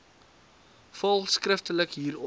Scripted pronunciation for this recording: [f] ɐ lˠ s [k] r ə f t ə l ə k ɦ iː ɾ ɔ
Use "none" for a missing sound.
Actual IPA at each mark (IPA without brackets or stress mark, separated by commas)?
f, k